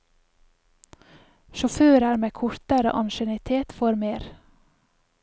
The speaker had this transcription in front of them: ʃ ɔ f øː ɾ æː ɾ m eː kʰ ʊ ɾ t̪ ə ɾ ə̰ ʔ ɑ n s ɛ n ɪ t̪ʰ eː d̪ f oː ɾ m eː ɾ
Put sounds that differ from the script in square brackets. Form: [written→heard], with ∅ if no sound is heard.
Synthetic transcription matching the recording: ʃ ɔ f øː ɾ æː ɾ m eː kʰ ʊ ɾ t̪ ə ɾ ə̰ ʔ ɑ n [s→ʃ] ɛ n ɪ t̪ʰ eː [d̪→t̪] f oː ɾ m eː ɾ